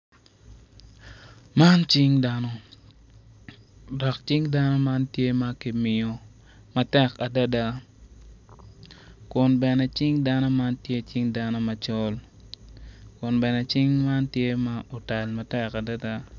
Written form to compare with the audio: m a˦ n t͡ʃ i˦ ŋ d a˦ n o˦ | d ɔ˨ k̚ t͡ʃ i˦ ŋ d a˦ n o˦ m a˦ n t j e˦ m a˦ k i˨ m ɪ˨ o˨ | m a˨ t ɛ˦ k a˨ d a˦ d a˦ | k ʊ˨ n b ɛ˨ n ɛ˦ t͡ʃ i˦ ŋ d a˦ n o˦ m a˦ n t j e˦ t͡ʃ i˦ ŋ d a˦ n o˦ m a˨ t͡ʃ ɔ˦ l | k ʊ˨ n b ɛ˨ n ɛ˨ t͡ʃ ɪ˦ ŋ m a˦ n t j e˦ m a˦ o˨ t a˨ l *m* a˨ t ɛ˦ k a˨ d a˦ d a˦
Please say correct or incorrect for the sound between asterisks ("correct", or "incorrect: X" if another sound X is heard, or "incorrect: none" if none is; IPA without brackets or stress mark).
correct